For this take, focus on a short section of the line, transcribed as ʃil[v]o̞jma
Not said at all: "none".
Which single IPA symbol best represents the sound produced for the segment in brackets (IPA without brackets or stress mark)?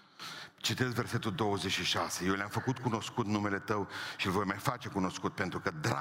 v